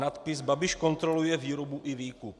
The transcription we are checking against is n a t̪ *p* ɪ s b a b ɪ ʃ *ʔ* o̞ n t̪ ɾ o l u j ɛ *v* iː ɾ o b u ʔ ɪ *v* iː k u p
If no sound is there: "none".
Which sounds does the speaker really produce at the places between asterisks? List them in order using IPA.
p, k, v, v

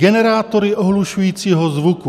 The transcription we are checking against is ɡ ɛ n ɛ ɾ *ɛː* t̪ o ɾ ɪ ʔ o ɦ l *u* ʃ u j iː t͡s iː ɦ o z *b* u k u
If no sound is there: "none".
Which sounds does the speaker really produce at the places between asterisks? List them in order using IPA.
aː, u, v

